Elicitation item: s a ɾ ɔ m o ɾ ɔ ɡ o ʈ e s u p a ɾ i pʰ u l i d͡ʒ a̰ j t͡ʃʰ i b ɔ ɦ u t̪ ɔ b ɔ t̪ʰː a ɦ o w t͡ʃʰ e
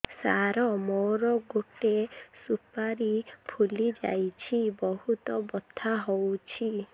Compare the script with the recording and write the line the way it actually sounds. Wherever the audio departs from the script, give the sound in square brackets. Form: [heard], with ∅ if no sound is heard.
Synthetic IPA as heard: s a ɾ ɔ m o ɾ ɔ ɡ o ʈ e s u p a ɾ i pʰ u l i d͡ʒ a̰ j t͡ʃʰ i b ɔ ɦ u t̪ ɔ b ɔ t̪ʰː a ɦ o w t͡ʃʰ [i]